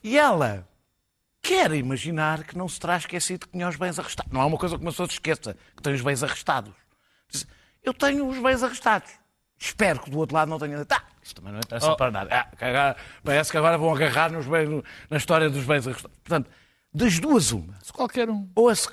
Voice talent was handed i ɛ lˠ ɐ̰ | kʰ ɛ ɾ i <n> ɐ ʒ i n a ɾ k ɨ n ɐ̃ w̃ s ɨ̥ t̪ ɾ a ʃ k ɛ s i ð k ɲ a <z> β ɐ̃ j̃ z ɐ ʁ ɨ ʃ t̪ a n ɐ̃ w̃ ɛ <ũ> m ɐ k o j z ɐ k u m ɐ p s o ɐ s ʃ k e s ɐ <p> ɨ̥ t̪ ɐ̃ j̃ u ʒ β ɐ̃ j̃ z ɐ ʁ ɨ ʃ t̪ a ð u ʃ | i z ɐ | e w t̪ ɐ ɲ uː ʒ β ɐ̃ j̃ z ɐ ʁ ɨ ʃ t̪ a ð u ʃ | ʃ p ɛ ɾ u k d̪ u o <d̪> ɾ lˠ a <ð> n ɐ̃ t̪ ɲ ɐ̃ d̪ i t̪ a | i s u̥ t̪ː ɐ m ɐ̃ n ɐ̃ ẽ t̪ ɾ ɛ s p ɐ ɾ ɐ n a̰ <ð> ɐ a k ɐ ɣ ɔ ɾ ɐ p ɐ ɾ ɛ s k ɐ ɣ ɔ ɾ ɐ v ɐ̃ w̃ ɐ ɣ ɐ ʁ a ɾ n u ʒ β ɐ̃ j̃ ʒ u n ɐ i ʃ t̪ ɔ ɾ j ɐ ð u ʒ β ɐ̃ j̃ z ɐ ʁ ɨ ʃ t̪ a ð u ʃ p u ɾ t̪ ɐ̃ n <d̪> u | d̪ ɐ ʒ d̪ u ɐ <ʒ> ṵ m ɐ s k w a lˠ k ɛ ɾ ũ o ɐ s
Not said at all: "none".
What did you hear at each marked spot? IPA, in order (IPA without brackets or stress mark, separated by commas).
m, ʒ, u, k, t̪, ð, ð, t̪, z